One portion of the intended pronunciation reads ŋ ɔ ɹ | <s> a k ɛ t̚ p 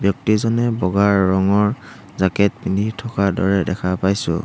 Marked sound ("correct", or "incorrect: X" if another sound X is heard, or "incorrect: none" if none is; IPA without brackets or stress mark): incorrect: z